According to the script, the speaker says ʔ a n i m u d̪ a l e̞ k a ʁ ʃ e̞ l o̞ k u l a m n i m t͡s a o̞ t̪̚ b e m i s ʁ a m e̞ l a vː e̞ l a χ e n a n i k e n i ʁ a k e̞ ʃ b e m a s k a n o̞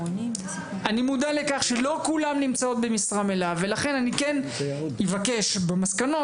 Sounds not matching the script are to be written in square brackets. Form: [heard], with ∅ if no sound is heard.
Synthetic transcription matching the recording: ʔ a n i m u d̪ a l e̞ k a [χ] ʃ e̞ l o̞ k u l a m n i m t͡s a o̞ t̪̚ b e m i s ʁ a m e̞ l a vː e̞ l a χ e n a n i k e n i [v] a k e̞ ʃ b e m a s k a n o̞